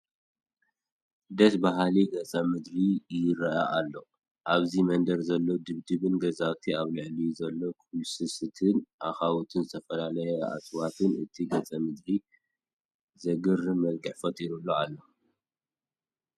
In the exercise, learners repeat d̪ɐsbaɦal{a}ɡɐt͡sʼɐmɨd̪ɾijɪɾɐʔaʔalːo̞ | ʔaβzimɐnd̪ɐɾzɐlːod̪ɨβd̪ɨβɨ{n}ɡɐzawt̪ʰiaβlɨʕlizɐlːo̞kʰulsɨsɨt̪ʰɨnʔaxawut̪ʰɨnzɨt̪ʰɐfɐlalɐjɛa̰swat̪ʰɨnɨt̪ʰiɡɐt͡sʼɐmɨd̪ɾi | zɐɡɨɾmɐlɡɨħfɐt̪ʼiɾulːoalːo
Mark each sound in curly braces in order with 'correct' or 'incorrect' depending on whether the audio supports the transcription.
incorrect: i, correct

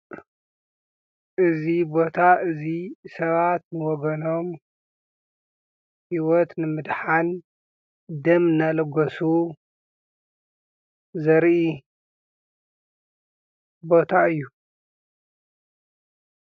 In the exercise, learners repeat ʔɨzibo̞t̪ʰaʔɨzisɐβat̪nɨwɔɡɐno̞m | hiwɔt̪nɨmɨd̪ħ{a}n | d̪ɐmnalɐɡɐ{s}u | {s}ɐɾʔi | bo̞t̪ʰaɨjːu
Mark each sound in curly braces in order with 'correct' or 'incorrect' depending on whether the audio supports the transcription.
correct, correct, incorrect: z

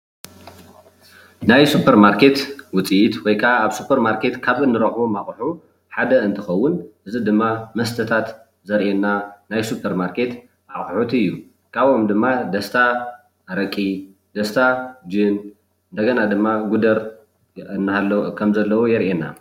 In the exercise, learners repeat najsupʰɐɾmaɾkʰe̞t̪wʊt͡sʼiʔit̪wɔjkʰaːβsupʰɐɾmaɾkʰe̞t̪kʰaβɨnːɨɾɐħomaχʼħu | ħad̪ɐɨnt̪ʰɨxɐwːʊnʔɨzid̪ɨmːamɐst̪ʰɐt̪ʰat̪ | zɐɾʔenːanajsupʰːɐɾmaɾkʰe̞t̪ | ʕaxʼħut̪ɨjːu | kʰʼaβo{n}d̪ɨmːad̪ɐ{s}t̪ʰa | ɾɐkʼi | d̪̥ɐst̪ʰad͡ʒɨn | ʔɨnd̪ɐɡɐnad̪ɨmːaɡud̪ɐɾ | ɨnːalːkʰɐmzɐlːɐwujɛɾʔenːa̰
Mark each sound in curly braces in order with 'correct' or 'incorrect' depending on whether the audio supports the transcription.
incorrect: m, correct

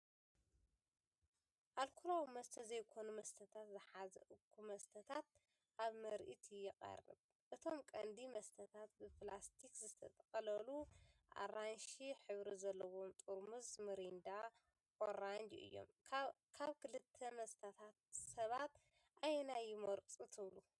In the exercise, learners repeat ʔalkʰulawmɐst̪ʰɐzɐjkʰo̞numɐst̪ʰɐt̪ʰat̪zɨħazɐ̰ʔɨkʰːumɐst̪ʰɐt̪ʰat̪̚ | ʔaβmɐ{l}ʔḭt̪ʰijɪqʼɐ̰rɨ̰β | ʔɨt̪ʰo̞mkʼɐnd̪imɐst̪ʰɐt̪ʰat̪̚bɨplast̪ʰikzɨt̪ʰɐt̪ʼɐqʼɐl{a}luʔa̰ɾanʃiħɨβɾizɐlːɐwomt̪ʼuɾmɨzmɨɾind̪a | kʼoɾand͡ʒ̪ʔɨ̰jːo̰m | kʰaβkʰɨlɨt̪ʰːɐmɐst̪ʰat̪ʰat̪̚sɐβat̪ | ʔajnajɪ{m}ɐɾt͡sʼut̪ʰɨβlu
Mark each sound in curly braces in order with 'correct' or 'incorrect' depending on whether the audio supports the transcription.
incorrect: ɾ, incorrect: ɐ, correct

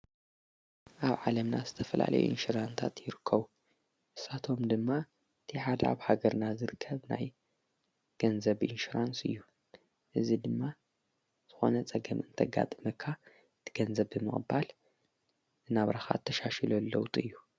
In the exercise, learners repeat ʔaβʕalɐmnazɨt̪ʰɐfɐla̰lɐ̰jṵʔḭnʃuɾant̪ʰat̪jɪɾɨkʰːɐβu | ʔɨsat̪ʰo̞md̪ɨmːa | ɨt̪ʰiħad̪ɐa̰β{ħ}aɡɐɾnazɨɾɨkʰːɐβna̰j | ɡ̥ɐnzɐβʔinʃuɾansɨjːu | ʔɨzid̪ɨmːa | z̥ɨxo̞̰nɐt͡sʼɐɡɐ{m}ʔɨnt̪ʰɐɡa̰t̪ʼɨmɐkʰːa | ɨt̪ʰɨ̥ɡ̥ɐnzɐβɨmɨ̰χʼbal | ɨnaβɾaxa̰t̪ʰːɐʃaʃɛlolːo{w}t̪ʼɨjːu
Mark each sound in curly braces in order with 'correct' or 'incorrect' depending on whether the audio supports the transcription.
incorrect: h, correct, correct

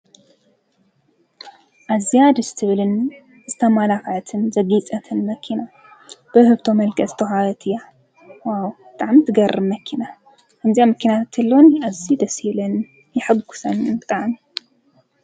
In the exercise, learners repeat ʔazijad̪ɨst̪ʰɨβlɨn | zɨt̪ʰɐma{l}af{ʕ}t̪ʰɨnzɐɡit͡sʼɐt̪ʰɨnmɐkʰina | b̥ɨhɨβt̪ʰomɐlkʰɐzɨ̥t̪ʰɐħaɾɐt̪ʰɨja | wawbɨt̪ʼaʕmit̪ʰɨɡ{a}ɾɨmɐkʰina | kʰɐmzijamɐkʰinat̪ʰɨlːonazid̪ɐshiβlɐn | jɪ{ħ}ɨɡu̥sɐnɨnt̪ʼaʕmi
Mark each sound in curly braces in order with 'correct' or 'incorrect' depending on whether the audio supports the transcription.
correct, correct, incorrect: ɐ, correct

